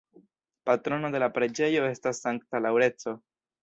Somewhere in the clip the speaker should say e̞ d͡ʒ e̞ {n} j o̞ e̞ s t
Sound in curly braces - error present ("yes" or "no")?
yes